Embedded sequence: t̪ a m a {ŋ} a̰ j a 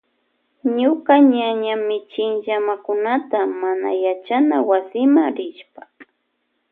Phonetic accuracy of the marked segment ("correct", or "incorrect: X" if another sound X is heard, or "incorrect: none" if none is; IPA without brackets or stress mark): incorrect: n